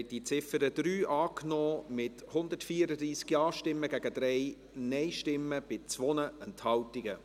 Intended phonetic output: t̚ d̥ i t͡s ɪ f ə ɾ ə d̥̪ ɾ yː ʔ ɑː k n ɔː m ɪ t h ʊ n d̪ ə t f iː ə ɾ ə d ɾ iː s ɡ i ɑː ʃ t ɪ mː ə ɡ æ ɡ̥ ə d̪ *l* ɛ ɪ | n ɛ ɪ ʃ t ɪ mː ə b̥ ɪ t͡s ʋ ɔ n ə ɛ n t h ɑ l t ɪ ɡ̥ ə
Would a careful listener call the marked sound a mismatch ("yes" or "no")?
yes